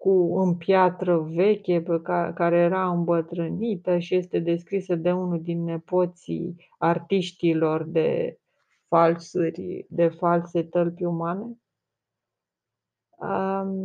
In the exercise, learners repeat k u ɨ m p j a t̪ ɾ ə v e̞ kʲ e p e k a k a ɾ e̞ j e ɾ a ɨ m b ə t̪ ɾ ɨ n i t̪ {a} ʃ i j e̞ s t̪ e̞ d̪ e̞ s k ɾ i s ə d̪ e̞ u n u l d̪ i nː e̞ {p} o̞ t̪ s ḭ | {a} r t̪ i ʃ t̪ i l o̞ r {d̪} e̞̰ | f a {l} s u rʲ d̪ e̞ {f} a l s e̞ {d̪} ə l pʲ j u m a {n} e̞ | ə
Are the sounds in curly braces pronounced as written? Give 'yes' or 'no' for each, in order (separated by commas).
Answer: no, yes, yes, yes, yes, yes, no, yes